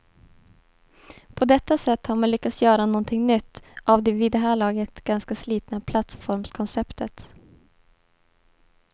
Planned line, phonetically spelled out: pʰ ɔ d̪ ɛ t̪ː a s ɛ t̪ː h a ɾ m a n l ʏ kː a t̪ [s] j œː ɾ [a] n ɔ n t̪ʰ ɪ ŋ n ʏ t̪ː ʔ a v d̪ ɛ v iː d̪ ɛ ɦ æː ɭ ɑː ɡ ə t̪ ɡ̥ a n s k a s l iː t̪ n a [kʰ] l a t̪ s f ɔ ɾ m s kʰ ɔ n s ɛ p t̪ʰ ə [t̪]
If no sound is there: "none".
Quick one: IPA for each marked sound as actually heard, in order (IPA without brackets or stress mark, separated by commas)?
s, a, pʰ, t̪